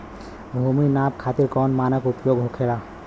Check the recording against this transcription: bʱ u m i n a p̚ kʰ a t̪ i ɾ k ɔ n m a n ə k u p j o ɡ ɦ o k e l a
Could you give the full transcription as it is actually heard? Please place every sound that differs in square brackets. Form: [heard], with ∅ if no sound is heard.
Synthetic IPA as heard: bʱ u m i n a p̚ kʰ a t̪ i ɾ k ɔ n m a n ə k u p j o ɡ ɦ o [kʰ] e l a